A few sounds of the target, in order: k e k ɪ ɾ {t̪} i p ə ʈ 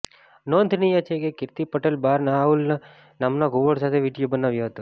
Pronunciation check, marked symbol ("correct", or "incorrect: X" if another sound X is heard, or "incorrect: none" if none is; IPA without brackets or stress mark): correct